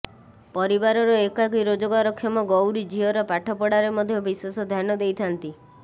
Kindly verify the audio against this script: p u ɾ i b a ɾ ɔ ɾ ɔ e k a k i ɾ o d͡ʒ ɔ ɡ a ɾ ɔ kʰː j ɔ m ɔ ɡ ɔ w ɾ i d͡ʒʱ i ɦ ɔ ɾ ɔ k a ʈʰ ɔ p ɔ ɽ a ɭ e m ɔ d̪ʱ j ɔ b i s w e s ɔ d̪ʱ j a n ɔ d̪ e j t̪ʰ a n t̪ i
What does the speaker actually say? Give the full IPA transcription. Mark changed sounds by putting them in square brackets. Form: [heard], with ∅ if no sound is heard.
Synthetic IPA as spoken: p [ɔ] ɾ i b a ɾ ɔ ɾ ɔ e k a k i ɾ o d͡ʒ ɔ ɡ a ɾ ɔ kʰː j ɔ m ɔ ɡ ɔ w ɾ i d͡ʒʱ i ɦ ɔ ɾ ɔ [p] a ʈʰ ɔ p ɔ ɽ a [ɾ] e m ɔ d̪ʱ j ɔ b i s w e s ɔ d̪ʱ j a n ɔ d̪ e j t̪ʰ a n t̪ i

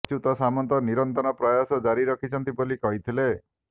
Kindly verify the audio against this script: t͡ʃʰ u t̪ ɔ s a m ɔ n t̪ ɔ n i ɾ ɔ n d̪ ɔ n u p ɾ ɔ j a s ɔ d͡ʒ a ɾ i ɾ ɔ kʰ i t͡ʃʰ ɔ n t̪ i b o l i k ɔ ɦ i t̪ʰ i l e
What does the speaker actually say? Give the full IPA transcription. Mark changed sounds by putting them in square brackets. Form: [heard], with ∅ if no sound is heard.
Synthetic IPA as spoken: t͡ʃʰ u t̪ ɔ s a m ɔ n t̪ ɔ n i ɾ ɔ n [t̪] ɔ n [ɔ] p ɾ ɔ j a s ɔ d͡ʒ a ɾ i ɾ ɔ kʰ i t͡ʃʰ ɔ n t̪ i b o l i k ɔ ɦ i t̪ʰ i l e

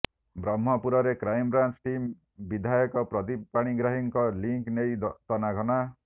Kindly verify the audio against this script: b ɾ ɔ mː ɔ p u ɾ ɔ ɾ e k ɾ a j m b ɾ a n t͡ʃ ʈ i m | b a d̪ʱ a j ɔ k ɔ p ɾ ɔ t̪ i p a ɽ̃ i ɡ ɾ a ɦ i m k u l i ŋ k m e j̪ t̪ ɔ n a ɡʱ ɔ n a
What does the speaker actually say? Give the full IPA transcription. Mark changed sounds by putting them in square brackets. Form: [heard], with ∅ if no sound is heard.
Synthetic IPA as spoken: b ɾ ɔ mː ɔ p u ɾ ɔ ɾ e k ɾ a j m b ɾ a n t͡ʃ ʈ i m | b [i] d̪ʱ a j ɔ k ɔ p ɾ ɔ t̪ i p a ɽ̃ i ɡ ɾ a ɦ i [ŋ] k [ɔ] l i ŋ k [n] e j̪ t̪ ɔ n a ɡʱ ɔ n a

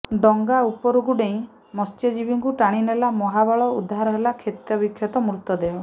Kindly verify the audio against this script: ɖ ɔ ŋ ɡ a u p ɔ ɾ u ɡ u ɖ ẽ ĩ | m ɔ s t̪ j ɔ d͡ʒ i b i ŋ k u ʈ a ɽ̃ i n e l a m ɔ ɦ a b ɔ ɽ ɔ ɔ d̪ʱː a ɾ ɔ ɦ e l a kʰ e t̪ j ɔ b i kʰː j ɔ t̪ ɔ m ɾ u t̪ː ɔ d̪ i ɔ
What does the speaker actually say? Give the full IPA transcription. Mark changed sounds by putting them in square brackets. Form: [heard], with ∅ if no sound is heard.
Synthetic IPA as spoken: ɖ ɔ ŋ ɡ a u p ɔ ɾ u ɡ u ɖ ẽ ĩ | m ɔ s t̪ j ɔ d͡ʒ i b i ŋ k u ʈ a ɽ̃ i n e l a m ɔ ɦ a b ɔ [ɭ] ɔ [u] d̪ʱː a ɾ ɔ ɦ e l a kʰ e t̪ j ɔ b i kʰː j ɔ t̪ ɔ m ɾ u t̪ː ɔ d̪ [e] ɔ

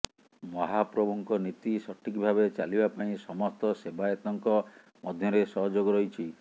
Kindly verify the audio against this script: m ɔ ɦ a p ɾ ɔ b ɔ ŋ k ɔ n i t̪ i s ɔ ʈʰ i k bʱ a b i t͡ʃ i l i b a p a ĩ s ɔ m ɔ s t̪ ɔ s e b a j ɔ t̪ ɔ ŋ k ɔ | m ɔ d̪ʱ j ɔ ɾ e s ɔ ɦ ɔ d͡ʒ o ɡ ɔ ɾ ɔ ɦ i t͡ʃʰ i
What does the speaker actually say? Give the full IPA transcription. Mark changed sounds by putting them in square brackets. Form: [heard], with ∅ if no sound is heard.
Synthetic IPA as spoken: m ɔ ɦ a p ɾ ɔ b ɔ ŋ k ɔ n i t̪ i s ɔ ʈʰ i k bʱ a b [e] t͡ʃ [a] l i b a p a ĩ s ɔ m ɔ s t̪ ɔ s e b a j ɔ t̪ ɔ ŋ k ɔ | m ɔ d̪ʱ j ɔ ɾ e s ɔ ɦ ɔ d͡ʒ o ɡ ɔ ɾ ɔ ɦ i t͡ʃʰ i

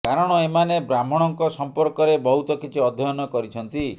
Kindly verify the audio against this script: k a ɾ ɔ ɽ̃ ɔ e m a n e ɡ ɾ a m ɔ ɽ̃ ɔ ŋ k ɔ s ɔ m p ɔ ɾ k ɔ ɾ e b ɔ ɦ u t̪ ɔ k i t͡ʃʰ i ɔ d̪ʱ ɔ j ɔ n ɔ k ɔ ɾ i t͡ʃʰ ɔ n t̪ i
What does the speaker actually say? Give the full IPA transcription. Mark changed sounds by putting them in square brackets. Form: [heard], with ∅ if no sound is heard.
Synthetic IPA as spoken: k a ɾ ɔ ɽ̃ ɔ e m a n e [b] ɾ a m ɔ ɽ̃ ɔ ŋ k ɔ s ɔ m p ɔ ɾ k ɔ ɾ e b ɔ ɦ u t̪ ɔ k i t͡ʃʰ i ɔ d̪ʱ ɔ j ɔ n ɔ k ɔ ɾ i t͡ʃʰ ɔ n t̪ i

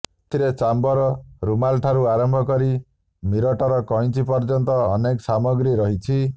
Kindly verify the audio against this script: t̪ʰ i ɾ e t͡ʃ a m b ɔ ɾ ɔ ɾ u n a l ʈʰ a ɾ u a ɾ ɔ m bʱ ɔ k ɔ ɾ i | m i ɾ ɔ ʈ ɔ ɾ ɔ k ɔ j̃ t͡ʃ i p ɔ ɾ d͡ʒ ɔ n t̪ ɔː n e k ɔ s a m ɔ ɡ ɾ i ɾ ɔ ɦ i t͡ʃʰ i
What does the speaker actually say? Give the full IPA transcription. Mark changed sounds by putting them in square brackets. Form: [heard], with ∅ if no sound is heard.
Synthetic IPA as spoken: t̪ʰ i ɾ e t͡ʃ a m b ɔ ɾ ɔ ɾ u [m] a l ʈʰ a ɾ u a ɾ ɔ m bʱ ɔ k ɔ ɾ i | m i ɾ ɔ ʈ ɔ ɾ ɔ k ɔ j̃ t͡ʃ i p ɔ ɾ d͡ʒ ɔ n t̪ ɔː n e k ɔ s a m ɔ ɡ ɾ i ɾ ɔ ɦ i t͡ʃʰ i

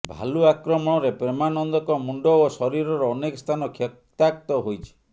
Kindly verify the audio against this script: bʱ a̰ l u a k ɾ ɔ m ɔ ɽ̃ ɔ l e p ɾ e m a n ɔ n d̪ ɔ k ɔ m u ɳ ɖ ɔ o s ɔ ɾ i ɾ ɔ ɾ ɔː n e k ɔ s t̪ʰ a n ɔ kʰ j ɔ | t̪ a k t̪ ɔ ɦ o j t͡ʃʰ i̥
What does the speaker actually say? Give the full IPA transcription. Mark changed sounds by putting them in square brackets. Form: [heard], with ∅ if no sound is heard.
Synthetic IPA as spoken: bʱ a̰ l u a k ɾ ɔ m ɔ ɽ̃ ɔ [ɾ] e p ɾ e m a n ɔ n d̪ ɔ k ɔ m u ɳ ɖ ɔ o s ɔ ɾ i ɾ ɔ ɾ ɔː n e k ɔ s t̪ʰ a n ɔ kʰ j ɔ | t̪ a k t̪ ɔ ɦ o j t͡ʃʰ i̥

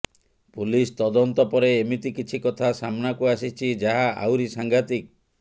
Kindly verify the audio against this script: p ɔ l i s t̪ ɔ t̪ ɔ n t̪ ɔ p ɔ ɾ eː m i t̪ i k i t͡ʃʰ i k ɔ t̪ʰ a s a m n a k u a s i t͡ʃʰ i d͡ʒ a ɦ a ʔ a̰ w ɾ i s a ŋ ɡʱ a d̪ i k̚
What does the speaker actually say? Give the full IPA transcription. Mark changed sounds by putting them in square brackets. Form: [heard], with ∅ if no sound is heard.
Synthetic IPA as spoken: p [u] l i s t̪ ɔ [d̪] ɔ n t̪ ɔ p ɔ ɾ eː m i t̪ i k i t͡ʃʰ i k ɔ t̪ʰ a s a m n a k u a s i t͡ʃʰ i d͡ʒ a ɦ a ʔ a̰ w ɾ i s a ŋ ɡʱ a [t̪] i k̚

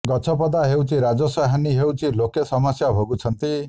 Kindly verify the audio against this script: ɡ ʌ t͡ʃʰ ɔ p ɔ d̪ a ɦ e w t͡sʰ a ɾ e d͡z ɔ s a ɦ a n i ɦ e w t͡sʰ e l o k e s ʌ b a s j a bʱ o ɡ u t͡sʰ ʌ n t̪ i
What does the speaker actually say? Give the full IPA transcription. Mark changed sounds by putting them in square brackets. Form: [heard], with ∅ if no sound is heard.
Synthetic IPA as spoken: ɡ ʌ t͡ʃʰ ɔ p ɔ d̪ a ɦ e w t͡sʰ [i] ɾ [a] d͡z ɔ s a ɦ a n i ɦ e w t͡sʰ [i] l o k e s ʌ [m] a s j a bʱ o ɡ u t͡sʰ ʌ n t̪ i

